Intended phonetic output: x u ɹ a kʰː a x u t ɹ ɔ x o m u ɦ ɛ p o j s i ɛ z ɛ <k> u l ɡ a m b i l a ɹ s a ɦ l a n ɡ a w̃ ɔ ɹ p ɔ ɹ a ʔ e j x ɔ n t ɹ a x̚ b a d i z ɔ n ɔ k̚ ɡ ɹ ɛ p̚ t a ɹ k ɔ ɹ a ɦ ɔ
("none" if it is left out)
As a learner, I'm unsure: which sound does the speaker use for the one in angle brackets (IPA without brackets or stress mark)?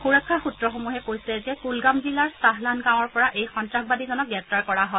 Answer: k